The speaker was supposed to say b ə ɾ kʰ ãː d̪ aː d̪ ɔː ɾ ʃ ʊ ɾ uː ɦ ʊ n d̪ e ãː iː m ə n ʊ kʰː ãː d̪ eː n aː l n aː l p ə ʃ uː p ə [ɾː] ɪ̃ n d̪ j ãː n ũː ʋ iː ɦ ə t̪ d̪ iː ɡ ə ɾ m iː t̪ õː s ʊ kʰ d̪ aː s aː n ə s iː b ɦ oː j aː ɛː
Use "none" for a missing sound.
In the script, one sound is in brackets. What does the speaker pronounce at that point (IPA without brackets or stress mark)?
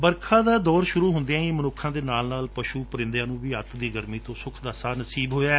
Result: ɾ